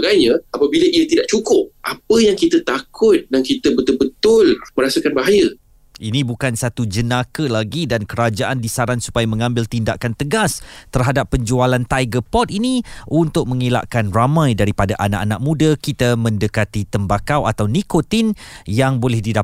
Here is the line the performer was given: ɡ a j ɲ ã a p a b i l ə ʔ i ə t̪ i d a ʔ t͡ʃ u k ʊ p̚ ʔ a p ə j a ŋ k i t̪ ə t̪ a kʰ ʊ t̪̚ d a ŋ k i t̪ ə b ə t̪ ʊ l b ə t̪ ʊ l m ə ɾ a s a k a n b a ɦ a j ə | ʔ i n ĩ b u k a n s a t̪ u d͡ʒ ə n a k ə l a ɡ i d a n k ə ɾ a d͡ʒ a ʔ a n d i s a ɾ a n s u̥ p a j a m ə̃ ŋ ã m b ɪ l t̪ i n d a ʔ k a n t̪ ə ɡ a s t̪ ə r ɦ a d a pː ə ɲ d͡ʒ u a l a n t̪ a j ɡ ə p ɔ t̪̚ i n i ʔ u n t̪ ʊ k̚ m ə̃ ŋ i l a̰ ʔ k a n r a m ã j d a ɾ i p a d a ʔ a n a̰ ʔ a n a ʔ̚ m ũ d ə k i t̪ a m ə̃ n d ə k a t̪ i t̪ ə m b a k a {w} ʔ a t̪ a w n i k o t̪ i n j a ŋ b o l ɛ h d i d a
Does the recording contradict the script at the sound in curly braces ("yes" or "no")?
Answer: no